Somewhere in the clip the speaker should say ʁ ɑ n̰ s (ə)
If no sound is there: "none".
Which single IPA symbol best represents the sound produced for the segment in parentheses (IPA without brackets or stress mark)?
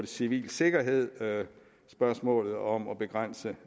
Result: ə